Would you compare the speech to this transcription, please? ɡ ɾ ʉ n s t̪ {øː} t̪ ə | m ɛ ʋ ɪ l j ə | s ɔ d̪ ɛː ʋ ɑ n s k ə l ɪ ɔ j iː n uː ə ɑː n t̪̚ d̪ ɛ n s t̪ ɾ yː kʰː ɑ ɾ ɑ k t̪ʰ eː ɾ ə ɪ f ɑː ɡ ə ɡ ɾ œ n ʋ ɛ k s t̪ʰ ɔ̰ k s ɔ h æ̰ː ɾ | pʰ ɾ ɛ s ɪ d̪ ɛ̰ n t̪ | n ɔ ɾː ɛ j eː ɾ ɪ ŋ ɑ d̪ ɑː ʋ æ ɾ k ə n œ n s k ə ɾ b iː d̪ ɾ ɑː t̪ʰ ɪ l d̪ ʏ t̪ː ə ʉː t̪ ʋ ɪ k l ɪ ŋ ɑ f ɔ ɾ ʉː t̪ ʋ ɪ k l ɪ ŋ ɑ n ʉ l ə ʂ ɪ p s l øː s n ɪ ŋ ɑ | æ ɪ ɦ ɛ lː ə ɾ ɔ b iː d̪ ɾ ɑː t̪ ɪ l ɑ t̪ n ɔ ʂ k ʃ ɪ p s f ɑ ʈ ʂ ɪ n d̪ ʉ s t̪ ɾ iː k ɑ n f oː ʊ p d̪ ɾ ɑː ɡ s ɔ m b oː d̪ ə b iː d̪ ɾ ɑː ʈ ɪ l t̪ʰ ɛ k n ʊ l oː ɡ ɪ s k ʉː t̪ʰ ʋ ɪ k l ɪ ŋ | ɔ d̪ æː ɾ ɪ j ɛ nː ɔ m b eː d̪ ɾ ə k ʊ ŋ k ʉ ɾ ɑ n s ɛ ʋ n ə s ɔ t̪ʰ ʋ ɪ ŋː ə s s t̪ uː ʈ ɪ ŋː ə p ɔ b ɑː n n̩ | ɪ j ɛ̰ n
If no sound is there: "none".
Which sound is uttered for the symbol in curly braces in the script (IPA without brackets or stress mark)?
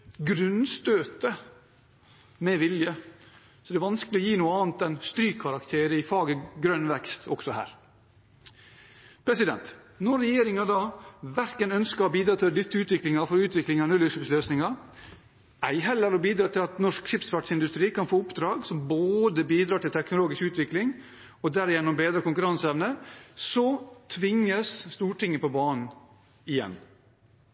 øː